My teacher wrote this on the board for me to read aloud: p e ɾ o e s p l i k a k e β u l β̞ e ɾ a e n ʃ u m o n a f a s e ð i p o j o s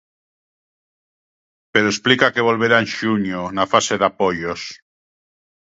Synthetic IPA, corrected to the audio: p e ɾ o e s p l i k a k e β o l β̞ e ɾ a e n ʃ u ɲ o n a f a s e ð a p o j o s